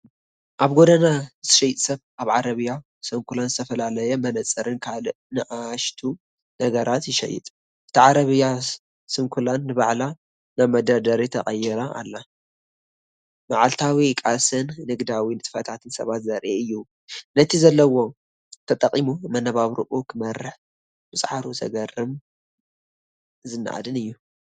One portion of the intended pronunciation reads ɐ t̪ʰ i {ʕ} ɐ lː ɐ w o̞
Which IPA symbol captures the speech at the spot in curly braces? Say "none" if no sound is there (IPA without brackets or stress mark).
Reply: z